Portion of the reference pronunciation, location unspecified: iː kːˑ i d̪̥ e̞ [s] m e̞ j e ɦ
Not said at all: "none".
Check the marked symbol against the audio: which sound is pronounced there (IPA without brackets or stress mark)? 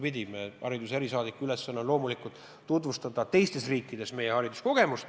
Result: s